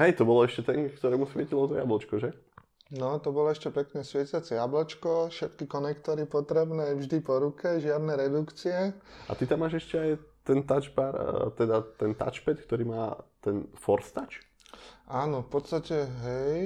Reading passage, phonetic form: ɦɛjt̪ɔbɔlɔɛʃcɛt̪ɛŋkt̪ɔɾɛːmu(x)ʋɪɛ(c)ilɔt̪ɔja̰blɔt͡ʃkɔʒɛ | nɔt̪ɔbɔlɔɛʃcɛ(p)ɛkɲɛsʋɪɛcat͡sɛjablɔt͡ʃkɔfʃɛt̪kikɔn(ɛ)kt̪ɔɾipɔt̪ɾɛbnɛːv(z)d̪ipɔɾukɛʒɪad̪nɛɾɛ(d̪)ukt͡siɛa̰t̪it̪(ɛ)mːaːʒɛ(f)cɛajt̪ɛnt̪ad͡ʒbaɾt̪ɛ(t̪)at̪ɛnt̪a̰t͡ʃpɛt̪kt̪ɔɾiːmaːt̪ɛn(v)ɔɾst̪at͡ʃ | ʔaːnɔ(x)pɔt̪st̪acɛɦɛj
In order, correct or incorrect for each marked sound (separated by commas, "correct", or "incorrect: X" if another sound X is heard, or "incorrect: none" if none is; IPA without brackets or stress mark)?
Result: incorrect: s, correct, correct, correct, incorrect: ʒ, correct, incorrect: a, incorrect: ʃ, incorrect: d̪, incorrect: f, incorrect: f